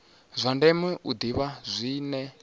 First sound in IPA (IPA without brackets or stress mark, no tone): zʷ